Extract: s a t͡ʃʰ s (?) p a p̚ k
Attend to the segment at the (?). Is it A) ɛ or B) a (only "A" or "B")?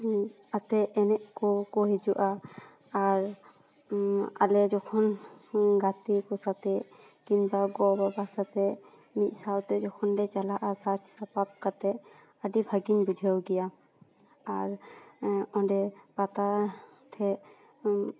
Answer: B